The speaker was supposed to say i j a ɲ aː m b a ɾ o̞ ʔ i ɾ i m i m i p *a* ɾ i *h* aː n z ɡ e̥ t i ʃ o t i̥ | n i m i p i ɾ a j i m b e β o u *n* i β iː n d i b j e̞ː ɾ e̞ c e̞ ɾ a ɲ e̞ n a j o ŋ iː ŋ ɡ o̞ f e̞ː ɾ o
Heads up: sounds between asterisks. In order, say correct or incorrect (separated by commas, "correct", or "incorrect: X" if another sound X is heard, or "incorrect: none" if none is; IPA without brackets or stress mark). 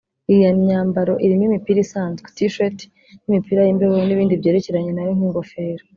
incorrect: i, incorrect: s, correct